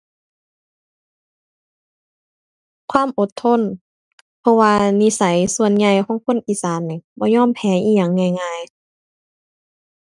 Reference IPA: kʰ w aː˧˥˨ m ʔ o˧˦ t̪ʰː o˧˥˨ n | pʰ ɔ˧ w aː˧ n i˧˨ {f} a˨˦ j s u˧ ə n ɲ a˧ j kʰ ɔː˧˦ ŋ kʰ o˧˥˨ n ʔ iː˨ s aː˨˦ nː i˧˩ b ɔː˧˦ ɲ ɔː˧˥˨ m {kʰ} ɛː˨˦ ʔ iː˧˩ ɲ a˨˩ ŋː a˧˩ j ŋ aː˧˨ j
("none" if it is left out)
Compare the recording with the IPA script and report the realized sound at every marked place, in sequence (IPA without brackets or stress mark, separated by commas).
s, pʰ